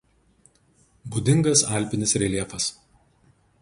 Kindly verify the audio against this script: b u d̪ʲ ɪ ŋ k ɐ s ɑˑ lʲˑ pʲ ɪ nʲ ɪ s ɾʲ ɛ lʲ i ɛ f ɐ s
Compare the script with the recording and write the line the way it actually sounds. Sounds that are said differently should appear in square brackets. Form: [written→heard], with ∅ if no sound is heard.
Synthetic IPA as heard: b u d̪ʲ ɪ ŋ [k→ɡ] ɐ s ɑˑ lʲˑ pʲ ɪ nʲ ɪ s ɾʲ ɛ lʲ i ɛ f ɐ s